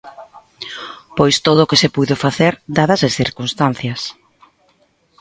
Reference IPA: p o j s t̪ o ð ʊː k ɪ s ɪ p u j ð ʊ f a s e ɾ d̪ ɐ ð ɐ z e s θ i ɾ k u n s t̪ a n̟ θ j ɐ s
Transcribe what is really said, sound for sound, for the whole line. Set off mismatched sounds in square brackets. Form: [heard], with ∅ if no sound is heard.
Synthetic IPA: p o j s t̪ o ð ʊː k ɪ s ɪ p u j ð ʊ f a [θ] e ɾ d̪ [a] ð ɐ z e s θ i ɾ k u n s t̪ a n̟ θ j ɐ s